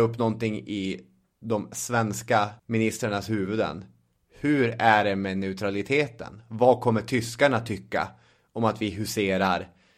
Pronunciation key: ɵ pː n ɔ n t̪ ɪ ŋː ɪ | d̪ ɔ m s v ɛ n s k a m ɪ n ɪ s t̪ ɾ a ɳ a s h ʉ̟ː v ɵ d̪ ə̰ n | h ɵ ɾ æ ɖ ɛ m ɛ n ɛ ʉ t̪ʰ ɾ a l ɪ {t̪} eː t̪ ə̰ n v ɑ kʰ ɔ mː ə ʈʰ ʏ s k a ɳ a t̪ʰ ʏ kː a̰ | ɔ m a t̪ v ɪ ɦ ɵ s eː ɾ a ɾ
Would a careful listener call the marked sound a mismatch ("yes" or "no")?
yes